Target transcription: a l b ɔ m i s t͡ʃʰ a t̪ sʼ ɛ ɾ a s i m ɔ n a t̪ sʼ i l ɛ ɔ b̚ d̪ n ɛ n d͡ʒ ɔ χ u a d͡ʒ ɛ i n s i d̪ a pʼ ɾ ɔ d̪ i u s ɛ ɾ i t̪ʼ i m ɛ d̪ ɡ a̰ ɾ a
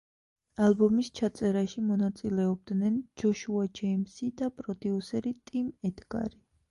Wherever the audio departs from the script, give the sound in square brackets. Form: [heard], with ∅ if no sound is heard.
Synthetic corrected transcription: a l b ɔ m i s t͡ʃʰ a t̪ sʼ ɛ ɾ a [ʃ] i m ɔ n a t̪ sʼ i l ɛ ɔ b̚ d̪ n ɛ n d͡ʒ ɔ [ʃ] u a d͡ʒ ɛ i [m] s i d̪ a pʼ ɾ ɔ d̪ i u s ɛ ɾ i t̪ʼ i m ɛ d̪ ɡ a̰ ɾ [i]